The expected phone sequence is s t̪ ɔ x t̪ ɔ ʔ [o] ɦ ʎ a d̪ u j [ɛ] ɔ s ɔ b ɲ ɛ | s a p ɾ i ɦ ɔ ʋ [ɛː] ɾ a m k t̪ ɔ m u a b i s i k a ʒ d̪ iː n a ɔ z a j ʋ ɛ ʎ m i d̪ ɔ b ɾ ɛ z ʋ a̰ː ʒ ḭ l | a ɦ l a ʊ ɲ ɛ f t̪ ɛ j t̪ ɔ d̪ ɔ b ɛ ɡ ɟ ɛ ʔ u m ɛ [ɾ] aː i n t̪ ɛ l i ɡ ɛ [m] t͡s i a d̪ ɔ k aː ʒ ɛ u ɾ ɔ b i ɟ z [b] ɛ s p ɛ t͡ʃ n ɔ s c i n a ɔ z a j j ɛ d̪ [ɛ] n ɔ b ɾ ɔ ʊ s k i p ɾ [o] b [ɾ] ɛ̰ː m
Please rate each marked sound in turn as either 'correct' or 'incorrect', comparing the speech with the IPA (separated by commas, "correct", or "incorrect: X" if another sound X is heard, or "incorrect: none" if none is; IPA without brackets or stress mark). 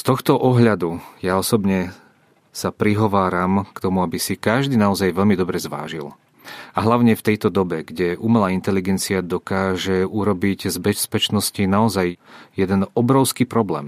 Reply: incorrect: ɔ, incorrect: a, incorrect: aː, incorrect: l, incorrect: n, correct, correct, incorrect: ɔ, incorrect: l